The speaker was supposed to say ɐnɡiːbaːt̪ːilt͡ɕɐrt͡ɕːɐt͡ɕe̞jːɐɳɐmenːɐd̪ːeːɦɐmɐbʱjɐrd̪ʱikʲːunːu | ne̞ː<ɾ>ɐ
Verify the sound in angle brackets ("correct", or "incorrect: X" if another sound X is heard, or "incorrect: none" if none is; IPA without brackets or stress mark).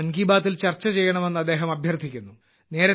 correct